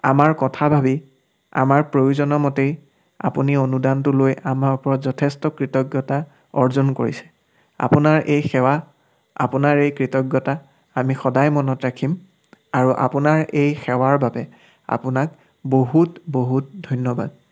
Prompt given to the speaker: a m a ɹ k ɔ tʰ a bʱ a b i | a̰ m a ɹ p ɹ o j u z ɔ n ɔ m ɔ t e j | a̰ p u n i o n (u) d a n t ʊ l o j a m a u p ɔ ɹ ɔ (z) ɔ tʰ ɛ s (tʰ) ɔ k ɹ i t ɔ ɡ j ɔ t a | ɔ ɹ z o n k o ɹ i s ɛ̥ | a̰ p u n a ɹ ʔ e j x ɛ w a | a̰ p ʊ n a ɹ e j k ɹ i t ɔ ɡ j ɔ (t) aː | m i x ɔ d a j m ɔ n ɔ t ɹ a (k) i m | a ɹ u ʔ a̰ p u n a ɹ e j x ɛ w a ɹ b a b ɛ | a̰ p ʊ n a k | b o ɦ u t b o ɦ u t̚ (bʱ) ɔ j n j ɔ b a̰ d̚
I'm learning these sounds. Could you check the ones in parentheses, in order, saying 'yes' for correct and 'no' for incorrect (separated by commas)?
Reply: yes, yes, no, yes, no, no